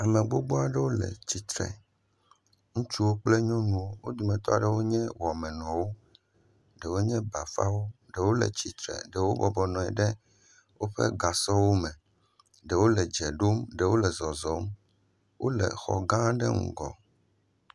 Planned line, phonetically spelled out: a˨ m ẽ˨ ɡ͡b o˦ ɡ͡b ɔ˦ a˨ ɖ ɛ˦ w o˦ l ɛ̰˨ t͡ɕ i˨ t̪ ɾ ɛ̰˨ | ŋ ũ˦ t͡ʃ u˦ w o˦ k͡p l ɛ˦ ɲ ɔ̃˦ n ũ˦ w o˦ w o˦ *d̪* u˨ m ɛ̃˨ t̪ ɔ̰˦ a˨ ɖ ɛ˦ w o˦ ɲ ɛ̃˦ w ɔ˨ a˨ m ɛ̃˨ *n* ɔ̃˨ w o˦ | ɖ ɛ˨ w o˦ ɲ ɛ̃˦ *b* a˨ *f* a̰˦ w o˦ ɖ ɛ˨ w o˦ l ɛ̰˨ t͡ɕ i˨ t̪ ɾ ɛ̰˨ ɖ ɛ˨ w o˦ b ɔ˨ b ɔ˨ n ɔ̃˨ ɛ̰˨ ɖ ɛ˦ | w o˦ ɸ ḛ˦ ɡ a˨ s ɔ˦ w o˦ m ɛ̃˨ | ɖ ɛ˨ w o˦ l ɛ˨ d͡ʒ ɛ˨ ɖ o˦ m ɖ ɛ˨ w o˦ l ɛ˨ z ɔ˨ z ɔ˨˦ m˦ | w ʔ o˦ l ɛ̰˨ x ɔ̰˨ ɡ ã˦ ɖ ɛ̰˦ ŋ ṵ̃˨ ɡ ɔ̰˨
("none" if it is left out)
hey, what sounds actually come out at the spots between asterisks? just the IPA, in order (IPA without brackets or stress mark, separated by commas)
d̪, n, b, f